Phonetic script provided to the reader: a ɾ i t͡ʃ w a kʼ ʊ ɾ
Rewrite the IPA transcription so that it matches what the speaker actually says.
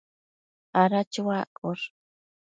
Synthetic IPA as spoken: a ɾ a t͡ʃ w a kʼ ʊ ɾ